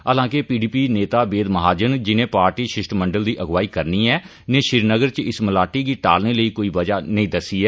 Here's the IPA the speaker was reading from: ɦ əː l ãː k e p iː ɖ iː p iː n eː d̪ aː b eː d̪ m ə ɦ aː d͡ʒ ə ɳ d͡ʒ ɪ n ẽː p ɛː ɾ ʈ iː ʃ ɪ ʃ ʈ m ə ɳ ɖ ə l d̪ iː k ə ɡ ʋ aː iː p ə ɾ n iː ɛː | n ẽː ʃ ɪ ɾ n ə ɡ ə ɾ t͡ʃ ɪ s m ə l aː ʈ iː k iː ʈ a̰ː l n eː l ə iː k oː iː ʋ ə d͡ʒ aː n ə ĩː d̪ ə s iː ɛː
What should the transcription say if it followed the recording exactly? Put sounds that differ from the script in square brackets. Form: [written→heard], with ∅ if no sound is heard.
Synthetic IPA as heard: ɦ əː l ãː k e p iː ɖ iː p iː n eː [d̪→t̪] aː b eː d̪ m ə ɦ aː d͡ʒ ə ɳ d͡ʒ ɪ n ẽː p [ɛː→aː] ɾ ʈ iː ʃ ɪ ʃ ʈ m ə ɳ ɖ ə l d̪ iː [k→ʔ] ə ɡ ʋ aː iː [p→k] ə ɾ n iː ɛː | n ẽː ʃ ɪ ɾ n ə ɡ ə ɾ t͡ʃ ɪ s m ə l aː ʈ iː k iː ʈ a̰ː l n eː l ə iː k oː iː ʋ ə d͡ʒ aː n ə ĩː d̪ ə s iː ɛː

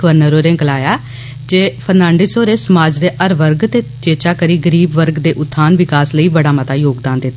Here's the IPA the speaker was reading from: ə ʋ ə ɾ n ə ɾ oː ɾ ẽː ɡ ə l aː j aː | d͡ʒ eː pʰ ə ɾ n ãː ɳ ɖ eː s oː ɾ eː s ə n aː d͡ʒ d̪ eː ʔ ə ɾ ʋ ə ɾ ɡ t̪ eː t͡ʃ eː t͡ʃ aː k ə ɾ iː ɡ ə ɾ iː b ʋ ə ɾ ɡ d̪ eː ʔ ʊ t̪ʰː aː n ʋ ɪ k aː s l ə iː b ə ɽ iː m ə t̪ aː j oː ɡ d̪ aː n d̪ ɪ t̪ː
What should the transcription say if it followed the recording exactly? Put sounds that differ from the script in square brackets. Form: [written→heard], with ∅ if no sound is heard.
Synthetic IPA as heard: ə ʋ ə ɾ n ə ɾ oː ɾ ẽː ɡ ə l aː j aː | d͡ʒ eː pʰ ə ɾ n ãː ɳ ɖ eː s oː ɾ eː s ə [n→m] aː d͡ʒ d̪ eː ʔ ə ɾ ʋ ə ɾ ɡ t̪ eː t͡ʃ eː t͡ʃ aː k ə ɾ iː ɡ ə ɾ iː b ʋ ə ɾ ɡ d̪ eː ʔ ʊ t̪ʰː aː n ʋ ɪ k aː s l ə iː b ə ɽ [iː→aː] m ə t̪ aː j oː ɡ d̪ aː n d̪ ɪ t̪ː

